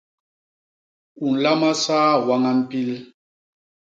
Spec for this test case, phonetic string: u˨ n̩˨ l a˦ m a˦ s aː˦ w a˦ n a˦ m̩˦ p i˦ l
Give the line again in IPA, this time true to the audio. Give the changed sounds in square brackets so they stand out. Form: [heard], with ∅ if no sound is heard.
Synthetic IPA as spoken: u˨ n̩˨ l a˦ m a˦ s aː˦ w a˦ [ŋ] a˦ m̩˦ p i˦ l

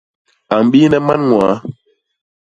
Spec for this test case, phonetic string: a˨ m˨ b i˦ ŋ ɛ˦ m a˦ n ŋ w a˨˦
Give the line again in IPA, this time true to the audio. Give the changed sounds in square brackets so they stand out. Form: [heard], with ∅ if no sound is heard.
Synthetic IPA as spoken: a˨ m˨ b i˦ [n] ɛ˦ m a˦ n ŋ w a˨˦

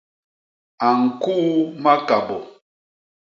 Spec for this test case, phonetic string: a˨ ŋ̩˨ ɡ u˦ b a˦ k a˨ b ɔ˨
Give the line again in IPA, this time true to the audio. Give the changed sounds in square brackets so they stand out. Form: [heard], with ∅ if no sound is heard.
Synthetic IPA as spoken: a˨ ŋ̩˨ [k] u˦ [m] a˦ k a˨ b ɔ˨

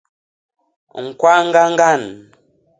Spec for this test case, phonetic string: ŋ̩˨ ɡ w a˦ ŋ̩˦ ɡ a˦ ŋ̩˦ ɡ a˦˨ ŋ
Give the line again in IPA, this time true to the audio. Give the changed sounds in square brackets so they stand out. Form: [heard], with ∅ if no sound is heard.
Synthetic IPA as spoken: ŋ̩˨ [k] w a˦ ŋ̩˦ ɡ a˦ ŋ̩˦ ɡ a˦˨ [n]

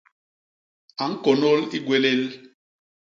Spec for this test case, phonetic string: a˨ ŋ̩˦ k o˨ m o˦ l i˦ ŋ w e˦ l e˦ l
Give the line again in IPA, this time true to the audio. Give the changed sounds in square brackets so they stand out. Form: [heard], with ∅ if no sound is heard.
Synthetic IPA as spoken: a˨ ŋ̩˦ k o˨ [n] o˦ l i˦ [ɡ] w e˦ l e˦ l

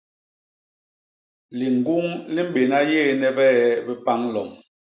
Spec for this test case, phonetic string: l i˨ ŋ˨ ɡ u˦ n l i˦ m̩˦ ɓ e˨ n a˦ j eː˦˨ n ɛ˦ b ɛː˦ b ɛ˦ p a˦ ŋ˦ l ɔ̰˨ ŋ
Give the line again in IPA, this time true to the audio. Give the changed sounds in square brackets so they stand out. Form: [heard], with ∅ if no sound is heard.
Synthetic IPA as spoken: l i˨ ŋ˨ ɡ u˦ [ŋ] l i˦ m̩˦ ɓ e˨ n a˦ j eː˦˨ n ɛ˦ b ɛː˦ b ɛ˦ p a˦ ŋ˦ l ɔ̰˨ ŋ

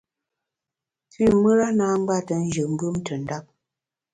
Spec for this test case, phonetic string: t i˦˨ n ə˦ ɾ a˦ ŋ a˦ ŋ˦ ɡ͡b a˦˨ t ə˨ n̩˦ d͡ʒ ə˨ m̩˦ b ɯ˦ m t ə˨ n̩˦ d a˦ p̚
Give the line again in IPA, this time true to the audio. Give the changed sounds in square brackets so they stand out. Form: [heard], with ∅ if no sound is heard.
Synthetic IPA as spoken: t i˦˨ [m] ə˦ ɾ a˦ [n] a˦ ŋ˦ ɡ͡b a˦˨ t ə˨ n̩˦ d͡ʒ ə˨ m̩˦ b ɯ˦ m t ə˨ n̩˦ d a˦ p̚

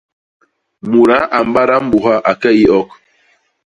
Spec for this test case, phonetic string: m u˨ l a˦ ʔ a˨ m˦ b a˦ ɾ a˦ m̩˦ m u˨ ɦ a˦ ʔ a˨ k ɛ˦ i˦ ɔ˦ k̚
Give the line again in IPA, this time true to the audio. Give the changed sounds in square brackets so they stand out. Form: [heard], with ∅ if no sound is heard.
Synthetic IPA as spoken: m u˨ [ɾ] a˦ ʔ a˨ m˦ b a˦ ɾ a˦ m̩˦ [b] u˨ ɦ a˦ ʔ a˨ k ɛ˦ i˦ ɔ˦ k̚

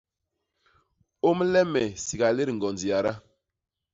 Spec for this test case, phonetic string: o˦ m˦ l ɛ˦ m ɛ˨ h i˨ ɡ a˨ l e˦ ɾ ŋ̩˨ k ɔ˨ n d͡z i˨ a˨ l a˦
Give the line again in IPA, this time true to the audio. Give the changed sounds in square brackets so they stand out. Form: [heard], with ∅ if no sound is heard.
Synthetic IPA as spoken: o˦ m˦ l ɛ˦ m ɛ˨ [s] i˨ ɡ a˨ l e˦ ɾ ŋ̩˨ [ɡ] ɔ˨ n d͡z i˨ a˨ [ɾ] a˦

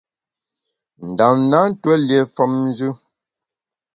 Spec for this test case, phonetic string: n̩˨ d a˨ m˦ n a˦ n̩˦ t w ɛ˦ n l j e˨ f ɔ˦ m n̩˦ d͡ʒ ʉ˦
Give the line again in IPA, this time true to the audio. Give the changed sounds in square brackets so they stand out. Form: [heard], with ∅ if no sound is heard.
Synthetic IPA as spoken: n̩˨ d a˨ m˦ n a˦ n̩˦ t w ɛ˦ [∅] l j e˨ f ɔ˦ m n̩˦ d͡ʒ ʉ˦

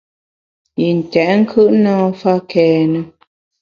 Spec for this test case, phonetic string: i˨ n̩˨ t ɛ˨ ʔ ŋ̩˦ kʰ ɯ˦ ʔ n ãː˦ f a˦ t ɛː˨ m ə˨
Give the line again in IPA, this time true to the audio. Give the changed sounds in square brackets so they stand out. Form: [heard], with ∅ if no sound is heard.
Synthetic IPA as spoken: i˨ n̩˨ t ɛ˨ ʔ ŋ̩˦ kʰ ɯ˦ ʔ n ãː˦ f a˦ [k] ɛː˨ [n] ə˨

